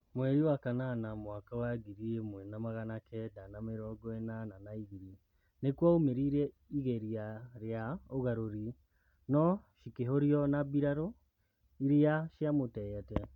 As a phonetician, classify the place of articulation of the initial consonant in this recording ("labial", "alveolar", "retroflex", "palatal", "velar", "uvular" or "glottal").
labial